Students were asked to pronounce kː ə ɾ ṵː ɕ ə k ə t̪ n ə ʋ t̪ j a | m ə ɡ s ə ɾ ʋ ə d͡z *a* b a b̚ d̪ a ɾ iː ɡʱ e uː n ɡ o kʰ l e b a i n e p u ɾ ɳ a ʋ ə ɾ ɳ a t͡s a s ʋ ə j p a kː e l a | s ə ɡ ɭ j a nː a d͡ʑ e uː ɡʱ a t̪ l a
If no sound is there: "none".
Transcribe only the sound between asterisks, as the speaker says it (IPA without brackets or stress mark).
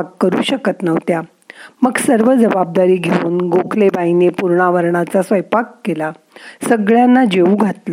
ə